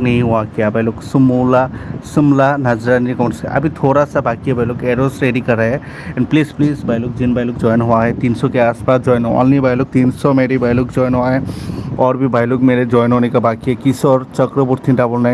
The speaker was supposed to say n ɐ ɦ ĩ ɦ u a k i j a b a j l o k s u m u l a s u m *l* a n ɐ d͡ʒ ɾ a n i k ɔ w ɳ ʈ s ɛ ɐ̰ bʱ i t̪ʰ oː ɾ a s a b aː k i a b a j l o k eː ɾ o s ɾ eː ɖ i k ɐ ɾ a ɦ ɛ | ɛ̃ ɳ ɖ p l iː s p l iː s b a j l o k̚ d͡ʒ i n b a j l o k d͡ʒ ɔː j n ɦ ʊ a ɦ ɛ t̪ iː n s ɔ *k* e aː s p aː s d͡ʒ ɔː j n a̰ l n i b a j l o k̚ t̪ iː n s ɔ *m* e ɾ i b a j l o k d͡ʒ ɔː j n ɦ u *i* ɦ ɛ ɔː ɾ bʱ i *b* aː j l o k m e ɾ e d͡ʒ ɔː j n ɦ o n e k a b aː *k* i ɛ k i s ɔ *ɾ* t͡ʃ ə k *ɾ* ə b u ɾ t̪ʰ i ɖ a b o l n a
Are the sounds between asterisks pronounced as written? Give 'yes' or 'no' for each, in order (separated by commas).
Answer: yes, yes, yes, no, yes, yes, yes, yes